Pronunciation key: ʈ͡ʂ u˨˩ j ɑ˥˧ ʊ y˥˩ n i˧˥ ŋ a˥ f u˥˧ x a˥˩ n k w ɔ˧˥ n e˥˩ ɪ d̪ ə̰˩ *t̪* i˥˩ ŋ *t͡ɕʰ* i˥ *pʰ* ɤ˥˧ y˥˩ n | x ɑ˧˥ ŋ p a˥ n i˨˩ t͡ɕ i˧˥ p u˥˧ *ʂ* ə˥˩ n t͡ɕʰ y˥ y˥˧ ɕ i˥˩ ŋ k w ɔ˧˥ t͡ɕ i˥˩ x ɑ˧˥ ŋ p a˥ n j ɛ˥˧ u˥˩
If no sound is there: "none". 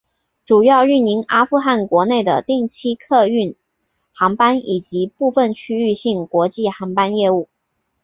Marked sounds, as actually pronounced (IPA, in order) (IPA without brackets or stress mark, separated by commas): t̪, t͡ɕʰ, kʰ, f